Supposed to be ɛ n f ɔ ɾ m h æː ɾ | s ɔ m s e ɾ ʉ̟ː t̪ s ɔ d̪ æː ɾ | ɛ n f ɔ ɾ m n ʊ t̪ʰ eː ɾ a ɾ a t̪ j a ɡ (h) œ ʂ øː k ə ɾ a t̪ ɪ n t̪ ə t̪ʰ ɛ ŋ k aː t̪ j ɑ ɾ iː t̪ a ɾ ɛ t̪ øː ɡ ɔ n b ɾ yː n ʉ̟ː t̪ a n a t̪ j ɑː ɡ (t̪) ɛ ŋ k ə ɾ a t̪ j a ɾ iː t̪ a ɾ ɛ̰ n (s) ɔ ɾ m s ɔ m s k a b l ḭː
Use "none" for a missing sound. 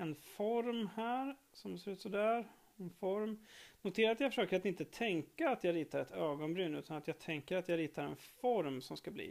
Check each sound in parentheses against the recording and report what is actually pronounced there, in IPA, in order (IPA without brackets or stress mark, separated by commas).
f, t̪ʰ, f